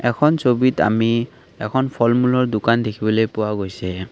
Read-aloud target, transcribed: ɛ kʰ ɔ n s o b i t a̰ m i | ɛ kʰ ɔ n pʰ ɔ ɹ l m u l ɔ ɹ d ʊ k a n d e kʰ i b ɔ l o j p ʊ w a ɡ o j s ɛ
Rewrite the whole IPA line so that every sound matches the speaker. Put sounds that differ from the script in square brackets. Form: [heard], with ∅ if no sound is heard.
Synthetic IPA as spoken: ɛ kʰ ɔ n s o b i t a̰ m i | ɛ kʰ ɔ n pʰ ɔ [∅] l m u l ɔ ɹ d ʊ k a n d e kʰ i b ɔ l o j p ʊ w a ɡ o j s ɛ